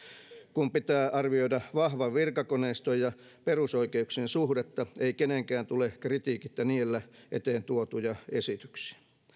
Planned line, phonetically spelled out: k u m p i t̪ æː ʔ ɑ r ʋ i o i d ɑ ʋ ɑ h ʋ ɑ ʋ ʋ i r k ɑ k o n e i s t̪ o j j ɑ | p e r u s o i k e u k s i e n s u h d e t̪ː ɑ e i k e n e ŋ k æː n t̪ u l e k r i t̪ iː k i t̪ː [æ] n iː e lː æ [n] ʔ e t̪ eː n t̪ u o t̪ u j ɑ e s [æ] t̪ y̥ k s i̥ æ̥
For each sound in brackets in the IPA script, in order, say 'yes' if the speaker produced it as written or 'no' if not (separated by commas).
yes, no, no